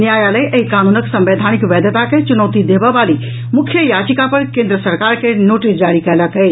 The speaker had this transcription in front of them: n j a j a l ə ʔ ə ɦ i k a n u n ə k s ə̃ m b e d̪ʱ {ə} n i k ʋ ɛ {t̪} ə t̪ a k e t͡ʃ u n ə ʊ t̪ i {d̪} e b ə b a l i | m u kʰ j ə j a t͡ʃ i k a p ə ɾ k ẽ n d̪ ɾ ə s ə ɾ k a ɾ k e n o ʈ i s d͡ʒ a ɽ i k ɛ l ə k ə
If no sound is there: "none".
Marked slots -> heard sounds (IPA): a, d̪, d̪

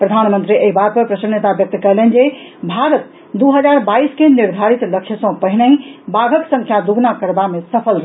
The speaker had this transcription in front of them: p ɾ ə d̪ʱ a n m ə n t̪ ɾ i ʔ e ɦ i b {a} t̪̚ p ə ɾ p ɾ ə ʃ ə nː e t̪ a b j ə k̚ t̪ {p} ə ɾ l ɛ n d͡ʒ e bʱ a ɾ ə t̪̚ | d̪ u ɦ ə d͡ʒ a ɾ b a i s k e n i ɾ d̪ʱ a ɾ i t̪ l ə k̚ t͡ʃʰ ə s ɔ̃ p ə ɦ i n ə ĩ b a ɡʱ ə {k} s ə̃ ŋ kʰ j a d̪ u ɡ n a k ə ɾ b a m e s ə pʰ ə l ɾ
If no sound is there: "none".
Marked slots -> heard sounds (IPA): a, k, k

